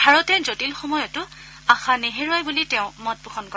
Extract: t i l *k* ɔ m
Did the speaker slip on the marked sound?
yes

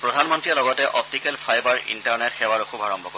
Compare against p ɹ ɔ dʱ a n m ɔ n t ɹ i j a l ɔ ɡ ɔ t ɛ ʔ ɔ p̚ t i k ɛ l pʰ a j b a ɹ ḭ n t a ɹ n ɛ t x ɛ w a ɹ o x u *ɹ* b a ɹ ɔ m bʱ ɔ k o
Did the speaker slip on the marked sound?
yes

